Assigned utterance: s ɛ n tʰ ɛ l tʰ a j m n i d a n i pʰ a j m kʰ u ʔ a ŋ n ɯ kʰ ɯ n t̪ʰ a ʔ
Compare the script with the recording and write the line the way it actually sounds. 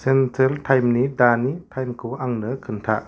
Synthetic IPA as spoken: s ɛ n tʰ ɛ l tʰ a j m n i d a n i tʰ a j m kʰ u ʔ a ŋ n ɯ kʰ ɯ n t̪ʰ a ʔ